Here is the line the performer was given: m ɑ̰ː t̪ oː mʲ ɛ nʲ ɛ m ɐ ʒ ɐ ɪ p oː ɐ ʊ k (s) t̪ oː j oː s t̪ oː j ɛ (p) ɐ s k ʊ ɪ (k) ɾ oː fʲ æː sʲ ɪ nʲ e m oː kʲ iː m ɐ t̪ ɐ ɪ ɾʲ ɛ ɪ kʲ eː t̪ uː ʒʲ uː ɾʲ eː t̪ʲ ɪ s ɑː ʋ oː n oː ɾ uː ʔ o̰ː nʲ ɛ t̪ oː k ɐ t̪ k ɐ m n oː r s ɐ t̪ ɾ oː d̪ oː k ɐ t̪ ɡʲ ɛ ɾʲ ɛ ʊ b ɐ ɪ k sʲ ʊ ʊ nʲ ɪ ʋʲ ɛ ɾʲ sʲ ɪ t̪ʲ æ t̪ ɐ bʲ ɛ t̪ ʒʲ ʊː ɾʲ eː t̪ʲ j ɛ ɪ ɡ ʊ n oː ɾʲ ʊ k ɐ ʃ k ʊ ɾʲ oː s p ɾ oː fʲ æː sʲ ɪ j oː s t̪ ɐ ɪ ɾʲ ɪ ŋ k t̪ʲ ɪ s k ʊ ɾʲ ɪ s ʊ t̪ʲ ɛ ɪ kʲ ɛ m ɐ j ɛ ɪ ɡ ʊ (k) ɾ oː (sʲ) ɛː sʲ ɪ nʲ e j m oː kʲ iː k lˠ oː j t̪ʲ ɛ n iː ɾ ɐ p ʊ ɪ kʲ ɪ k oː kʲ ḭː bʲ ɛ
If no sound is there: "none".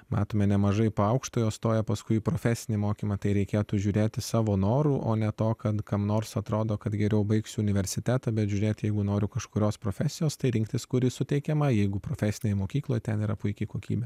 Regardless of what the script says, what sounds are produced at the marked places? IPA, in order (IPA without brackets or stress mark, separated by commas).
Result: ʃ, p, p, p, fʲ